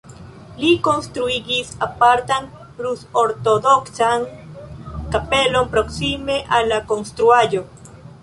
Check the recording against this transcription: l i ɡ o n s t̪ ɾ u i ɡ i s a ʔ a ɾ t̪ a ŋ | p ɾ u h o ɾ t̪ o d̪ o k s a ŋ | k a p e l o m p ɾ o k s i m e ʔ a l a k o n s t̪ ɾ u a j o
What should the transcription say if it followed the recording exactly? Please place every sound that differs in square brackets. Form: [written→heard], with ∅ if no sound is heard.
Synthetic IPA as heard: l i [ɡ→k] o n s t̪ ɾ u i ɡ i s a [ʔ→p] a ɾ t̪ a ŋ | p ɾ u [h→s] o ɾ t̪ o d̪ o k s a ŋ | k a p e l o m p ɾ o k s i m e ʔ a l a k o n s t̪ ɾ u a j o